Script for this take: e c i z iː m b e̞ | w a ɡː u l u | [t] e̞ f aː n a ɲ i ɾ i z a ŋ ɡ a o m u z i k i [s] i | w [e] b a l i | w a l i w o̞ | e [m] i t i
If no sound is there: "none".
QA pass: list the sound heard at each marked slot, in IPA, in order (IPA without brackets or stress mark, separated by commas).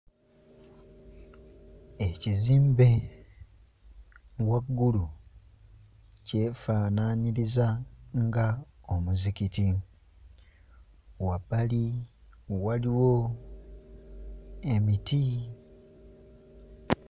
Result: c, t, a, m